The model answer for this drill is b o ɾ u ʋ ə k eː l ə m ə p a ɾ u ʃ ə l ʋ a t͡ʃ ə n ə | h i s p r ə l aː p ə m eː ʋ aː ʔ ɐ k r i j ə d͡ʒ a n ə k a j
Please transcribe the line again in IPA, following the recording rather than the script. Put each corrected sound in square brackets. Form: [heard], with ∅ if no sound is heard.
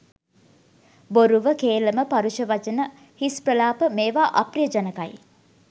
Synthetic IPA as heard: b o ɾ u ʋ ə k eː l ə m ə p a ɾ u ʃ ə [∅] ʋ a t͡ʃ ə n ə | h i s p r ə l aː p ə m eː ʋ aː ʔ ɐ [p] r i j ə d͡ʒ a n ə k a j